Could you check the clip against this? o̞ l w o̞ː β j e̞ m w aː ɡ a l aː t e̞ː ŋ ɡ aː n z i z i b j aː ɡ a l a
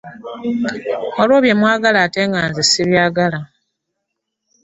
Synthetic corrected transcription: o̞ l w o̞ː β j e̞ m w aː ɡ a l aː t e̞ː ŋ ɡ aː n z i s i β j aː ɡ a l a